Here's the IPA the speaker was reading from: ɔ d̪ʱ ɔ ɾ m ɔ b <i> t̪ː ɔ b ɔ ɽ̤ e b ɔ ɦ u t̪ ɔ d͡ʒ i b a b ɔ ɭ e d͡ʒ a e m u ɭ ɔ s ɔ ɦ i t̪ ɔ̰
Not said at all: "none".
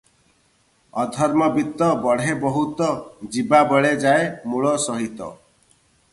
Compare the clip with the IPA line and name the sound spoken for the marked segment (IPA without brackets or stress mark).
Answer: i